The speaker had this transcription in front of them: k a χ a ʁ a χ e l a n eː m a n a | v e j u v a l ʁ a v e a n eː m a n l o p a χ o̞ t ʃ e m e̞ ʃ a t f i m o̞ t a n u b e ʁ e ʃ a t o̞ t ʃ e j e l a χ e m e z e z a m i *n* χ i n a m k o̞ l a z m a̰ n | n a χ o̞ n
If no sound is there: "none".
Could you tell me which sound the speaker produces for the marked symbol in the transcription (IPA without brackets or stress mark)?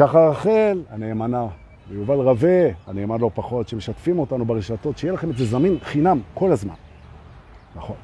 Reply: n